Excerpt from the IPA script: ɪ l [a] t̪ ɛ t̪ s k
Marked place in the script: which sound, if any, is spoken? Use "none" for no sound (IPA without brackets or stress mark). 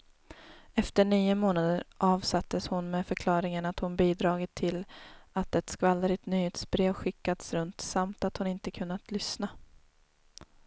a